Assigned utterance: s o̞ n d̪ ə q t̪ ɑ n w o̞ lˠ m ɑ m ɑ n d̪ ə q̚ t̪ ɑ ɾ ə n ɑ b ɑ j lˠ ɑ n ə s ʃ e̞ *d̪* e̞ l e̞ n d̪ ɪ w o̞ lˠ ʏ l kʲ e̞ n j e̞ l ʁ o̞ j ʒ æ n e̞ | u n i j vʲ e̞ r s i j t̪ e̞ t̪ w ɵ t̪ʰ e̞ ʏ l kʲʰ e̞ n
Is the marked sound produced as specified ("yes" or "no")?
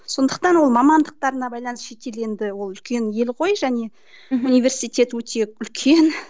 no